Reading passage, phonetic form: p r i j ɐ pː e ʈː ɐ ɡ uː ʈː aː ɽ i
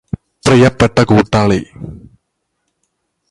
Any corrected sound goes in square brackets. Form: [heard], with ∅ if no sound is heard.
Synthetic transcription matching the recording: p r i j ɐ pː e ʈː ɐ [k] uː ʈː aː [ɭ] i